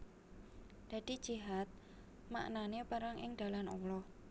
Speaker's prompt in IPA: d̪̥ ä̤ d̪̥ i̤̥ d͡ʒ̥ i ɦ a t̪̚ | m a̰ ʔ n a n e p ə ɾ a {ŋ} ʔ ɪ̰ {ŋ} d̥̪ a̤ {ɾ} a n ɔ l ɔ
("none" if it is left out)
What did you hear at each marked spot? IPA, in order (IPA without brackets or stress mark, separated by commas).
ŋ, ŋ, l